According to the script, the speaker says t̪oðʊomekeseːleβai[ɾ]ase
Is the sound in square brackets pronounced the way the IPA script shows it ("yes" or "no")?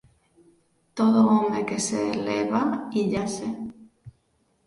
no